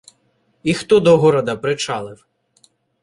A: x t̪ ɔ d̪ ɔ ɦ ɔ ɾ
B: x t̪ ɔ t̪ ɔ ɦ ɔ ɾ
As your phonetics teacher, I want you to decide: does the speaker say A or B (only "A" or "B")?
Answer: A